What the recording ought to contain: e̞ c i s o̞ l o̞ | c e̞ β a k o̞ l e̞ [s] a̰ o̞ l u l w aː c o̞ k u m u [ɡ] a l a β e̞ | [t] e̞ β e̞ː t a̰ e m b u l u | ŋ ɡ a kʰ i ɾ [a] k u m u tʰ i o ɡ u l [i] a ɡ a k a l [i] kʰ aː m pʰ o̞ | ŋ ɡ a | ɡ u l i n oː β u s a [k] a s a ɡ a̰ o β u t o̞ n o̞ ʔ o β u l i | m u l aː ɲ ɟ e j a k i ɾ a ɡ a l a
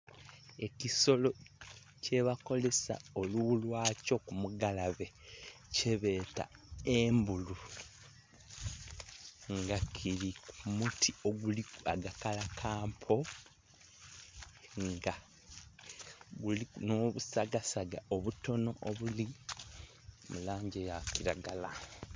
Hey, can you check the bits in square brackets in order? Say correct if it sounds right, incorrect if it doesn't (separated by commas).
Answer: correct, correct, incorrect, incorrect, correct, incorrect, incorrect